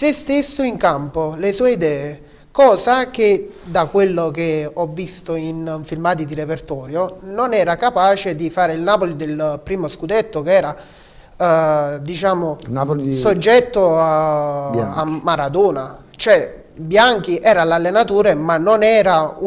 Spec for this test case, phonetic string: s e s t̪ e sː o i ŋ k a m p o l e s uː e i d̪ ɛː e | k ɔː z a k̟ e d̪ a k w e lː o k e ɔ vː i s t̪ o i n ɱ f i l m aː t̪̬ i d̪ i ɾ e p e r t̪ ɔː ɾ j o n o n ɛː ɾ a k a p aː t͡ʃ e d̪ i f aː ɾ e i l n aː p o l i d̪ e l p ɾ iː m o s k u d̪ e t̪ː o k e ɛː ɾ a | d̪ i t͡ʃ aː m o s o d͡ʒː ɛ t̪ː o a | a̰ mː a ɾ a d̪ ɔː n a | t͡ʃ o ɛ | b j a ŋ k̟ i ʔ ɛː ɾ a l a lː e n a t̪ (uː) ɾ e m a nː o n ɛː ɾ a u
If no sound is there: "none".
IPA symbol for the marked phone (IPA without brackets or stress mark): uː